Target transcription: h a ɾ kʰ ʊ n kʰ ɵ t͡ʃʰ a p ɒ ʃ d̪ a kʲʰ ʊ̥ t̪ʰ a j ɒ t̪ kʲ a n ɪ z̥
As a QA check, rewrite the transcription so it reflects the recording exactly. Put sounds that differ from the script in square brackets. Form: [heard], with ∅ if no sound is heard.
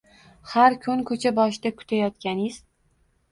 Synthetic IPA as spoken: h a ɾ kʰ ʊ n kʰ ɵ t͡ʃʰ a [b] ɒ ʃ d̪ a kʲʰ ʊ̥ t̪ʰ a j ɒ t̪ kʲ a n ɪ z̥